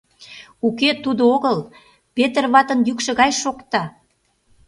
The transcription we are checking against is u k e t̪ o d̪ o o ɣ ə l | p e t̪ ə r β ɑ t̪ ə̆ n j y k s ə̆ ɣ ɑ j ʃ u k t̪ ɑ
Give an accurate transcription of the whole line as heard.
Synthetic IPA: u k e t̪ u d̪ o o ɣ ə l | p e t̪ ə r β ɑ t̪ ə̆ n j y k ʃ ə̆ ɣ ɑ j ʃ o k t̪ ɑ